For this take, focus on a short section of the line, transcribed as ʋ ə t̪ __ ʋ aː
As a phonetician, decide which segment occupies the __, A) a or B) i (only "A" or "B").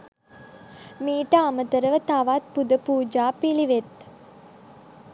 A